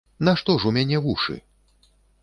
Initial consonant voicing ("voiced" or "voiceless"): voiced